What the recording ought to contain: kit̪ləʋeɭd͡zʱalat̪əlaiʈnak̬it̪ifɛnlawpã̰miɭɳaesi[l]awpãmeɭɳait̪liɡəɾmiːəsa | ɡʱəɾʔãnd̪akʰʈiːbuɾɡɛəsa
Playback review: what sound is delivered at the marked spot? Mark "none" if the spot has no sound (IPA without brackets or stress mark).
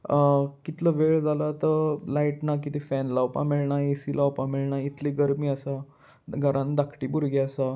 l